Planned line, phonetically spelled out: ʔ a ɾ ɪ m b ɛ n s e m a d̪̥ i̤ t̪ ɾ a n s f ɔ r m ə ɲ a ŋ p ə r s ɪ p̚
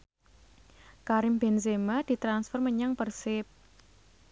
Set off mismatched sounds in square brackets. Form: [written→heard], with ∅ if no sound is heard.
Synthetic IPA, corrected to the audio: [ʔ→k] a ɾ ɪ m b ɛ n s e m a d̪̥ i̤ t̪ ɾ a n s f ɔ r m ə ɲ a ŋ p ə r s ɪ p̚